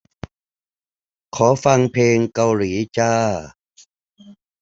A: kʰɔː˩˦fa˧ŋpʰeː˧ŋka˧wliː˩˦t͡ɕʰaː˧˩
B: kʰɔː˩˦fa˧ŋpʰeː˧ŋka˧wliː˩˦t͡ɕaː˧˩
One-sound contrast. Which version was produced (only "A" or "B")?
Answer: B